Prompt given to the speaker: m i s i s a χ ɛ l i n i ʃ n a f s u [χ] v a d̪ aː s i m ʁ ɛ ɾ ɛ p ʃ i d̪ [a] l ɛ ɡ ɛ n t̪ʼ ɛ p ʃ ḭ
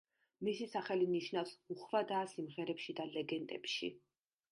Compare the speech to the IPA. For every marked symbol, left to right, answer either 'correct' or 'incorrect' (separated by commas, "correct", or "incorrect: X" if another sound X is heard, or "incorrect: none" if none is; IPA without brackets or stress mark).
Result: correct, correct